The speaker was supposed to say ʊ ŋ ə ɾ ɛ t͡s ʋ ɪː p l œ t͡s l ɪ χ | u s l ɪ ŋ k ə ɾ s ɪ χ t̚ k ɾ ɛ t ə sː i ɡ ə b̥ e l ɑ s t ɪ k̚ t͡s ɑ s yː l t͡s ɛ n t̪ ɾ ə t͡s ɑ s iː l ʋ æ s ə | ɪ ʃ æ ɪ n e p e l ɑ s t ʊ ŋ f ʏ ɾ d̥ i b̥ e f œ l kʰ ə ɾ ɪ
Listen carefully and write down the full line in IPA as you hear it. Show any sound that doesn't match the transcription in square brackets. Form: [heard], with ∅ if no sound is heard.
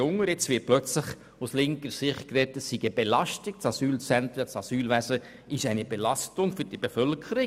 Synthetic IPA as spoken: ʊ ŋ ə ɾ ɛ t͡s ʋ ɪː p l œ t͡s l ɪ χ | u s l ɪ ŋ k ə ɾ s ɪ χ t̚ k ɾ ɛ t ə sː i ɡ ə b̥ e l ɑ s t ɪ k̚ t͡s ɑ s yː l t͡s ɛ n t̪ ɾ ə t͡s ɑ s [yː] l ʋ æ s ə | ɪ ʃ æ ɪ n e [b] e l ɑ s t ʊ ŋ f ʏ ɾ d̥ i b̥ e f œ l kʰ ə ɾ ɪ